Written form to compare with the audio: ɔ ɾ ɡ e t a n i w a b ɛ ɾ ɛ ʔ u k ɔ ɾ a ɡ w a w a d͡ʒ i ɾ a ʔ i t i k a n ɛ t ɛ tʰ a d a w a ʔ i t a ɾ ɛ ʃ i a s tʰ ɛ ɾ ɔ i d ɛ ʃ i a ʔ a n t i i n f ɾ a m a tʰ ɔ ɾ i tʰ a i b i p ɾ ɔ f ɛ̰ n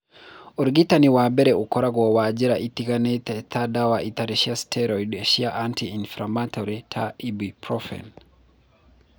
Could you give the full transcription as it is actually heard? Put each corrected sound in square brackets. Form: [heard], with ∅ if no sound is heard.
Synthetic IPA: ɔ ɾ ɡ [i] t a n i w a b ɛ ɾ ɛ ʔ u k ɔ ɾ a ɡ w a w a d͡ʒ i ɾ a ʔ i t i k a n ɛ t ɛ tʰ a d a w a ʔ i t a ɾ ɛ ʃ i a s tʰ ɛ ɾ ɔ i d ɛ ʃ i a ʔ a n t i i n f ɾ a m a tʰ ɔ ɾ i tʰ a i b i p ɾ ɔ f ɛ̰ n